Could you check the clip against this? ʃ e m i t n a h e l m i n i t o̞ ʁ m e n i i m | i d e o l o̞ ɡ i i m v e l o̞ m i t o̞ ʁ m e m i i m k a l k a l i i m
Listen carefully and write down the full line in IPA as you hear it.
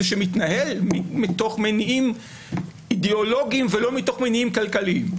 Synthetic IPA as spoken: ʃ e m i t n a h e l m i m i t o̞ χ m e n i i m | i d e o l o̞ ɡ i i m v e l o̞ m i t o̞ χ m e n i i m k a l k a l i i m